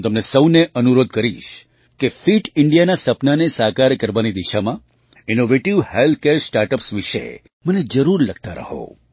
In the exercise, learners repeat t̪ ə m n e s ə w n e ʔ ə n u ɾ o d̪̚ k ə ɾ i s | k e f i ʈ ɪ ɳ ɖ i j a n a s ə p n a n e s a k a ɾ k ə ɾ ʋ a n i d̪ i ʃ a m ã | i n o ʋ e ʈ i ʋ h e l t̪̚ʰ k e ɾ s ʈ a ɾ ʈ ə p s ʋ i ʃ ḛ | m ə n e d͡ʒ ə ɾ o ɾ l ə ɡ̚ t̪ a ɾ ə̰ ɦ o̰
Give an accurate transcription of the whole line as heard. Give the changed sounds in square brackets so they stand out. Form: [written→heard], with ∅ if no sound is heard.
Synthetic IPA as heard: t̪ ə m n e s ə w n e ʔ ə n u ɾ o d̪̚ k ə ɾ i [s→ʃ] | k e f i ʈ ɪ ɳ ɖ i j a n a s ə p n a n e s a k a ɾ k ə ɾ ʋ a n i d̪ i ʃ a m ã | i n o ʋ e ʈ i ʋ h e l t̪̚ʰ k e ɾ s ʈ a ɾ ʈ ə p s ʋ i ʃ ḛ | m ə n e d͡ʒ ə ɾ [o→u] ɾ l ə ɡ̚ t̪ a ɾ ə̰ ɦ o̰